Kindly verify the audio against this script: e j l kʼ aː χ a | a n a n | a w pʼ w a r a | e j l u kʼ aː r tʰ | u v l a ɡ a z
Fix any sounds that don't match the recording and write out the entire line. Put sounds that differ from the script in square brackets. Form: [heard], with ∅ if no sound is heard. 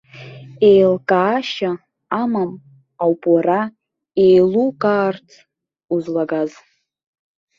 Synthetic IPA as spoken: e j l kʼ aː [ʃ] a | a [m] a [m] | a w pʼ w a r a | e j l u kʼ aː r tʰ | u [z] l a ɡ a z